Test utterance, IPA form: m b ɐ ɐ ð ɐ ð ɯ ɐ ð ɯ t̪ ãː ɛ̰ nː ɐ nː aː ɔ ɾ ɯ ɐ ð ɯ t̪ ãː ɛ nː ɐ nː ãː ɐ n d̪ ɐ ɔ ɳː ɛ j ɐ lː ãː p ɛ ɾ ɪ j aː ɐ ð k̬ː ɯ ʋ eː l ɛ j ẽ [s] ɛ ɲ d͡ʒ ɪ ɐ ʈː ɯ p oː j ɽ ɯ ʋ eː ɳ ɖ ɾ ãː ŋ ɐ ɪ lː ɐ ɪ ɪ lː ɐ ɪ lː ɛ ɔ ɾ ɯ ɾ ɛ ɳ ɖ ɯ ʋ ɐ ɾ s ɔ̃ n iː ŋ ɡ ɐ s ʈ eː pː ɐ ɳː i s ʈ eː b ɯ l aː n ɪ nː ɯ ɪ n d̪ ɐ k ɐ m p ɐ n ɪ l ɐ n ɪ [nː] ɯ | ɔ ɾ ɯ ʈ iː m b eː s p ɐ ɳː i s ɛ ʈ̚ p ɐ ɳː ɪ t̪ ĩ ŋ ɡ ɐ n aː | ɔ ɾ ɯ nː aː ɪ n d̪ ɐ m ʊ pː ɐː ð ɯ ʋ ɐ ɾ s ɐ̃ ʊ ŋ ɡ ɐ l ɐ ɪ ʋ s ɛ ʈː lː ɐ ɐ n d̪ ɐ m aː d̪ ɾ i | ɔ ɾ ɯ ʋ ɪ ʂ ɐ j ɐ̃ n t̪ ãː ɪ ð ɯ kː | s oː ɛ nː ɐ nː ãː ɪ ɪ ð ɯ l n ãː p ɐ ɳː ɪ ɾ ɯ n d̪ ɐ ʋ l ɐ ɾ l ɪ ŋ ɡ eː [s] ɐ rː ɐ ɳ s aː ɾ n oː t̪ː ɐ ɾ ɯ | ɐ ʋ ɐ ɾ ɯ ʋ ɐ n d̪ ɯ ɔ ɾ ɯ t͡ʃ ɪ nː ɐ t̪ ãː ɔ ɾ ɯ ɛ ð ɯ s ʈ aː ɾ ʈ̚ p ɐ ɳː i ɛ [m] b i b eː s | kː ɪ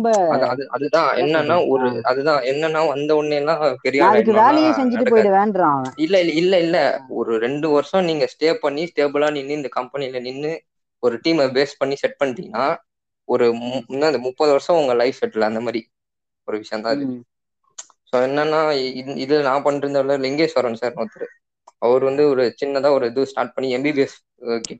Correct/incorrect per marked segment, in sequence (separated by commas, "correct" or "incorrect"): correct, correct, correct, correct